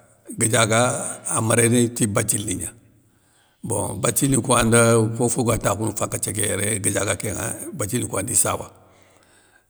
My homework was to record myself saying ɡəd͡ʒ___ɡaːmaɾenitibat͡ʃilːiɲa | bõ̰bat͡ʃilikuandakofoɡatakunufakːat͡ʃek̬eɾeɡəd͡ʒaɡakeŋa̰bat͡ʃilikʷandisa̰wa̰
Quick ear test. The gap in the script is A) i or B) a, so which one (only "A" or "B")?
B